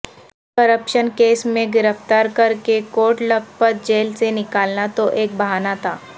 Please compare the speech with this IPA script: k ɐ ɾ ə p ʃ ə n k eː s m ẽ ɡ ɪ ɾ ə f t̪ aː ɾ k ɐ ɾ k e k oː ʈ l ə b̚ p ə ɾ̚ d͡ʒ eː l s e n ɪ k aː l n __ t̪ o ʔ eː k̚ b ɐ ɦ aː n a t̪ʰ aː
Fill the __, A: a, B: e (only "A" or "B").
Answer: A